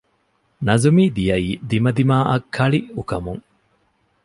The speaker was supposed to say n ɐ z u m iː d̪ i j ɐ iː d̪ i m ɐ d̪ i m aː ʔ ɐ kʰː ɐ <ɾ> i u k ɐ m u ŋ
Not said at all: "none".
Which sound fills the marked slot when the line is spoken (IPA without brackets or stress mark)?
ɭ